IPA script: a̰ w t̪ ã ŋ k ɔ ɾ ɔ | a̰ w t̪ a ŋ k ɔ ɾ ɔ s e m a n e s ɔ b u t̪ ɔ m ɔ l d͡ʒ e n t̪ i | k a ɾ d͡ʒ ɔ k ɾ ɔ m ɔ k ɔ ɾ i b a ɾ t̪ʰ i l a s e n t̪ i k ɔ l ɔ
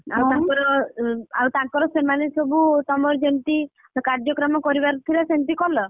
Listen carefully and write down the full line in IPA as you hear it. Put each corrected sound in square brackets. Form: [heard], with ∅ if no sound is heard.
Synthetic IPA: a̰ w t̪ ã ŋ k ɔ ɾ ɔ | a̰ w t̪ a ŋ k ɔ ɾ ɔ s e m a n e s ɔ b u t̪ ɔ m ɔ [ɾ] d͡ʒ e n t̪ i | k a ɾ d͡ʒ ɔ k ɾ ɔ m ɔ k ɔ ɾ i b a ɾ t̪ʰ i l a s e n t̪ i k ɔ l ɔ